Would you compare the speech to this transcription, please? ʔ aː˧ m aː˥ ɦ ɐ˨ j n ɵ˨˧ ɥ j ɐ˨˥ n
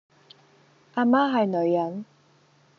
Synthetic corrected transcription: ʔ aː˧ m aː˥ ɦ ɐ˨ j n ɵ˨˧ ɥ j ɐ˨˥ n

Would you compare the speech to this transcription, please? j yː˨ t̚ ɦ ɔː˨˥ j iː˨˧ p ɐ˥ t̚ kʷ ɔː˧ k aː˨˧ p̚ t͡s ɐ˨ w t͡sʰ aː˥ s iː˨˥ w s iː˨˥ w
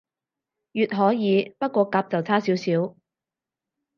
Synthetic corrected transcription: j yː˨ t̚ ɦ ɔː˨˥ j iː˨˧ p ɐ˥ t̚ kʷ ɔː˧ k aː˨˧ p̚ t͡s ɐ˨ w t͡sʰ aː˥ s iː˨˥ w s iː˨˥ w

